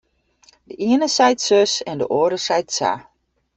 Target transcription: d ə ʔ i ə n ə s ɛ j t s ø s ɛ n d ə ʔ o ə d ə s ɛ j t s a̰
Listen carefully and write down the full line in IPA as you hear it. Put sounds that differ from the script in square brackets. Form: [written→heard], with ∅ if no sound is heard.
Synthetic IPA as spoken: d ə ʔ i ə n ə s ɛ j t s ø s ɛ n d ə ʔ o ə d ə s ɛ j t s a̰